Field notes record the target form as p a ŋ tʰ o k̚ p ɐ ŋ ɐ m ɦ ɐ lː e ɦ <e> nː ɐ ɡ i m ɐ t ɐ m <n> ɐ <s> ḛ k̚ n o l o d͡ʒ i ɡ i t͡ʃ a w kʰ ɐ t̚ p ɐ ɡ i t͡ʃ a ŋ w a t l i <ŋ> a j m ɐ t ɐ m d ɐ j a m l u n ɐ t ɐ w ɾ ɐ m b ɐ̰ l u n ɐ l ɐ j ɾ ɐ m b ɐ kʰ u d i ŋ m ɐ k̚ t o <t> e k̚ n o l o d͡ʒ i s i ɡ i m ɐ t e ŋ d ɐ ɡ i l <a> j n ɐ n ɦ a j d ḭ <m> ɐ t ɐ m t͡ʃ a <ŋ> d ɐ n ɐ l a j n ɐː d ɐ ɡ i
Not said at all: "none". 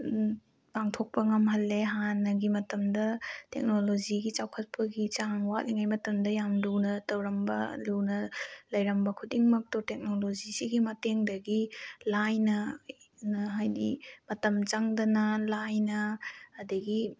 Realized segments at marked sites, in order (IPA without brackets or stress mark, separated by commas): a, d, t, ŋ, t, a, m, ŋ